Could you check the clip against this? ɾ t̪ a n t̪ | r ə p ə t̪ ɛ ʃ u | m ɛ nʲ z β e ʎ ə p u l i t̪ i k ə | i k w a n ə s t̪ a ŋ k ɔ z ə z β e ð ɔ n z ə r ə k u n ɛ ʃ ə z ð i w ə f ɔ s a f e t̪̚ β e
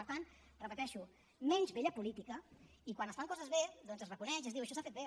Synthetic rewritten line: ɾ t̪ a n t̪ | r ə p ə t̪ ɛ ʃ u | m ɛ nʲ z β e ʎ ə p u l i t̪ i k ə | i k w a n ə s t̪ a ŋ k ɔ z ə z β e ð ɔ n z ə r ə k u n ɛ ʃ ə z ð i w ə ʃ ɔ s a f e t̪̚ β e